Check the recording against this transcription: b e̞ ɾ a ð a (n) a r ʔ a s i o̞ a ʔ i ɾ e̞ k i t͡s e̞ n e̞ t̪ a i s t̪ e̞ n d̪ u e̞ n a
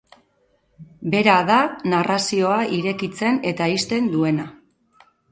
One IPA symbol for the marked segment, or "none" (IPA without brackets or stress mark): n